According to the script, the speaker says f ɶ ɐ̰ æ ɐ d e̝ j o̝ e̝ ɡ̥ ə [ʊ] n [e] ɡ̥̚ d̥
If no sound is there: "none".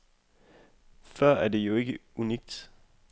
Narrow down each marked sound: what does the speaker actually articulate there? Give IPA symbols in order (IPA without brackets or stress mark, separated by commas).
u, i